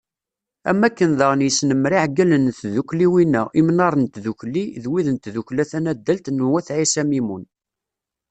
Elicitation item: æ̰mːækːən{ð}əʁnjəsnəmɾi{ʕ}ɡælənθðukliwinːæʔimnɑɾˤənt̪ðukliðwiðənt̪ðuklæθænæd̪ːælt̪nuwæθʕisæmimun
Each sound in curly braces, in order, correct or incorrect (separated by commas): correct, correct